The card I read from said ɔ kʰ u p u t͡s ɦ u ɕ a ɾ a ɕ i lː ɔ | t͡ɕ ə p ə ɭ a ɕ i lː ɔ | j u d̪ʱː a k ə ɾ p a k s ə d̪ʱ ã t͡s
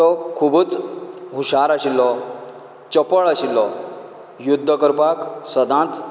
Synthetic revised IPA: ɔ kʰ u b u t͡s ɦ u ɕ a ɾ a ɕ i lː ɔ | t͡ɕ ə p ə ɭ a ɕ i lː ɔ | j u d̪ʱː ə k ə ɾ p a k s ə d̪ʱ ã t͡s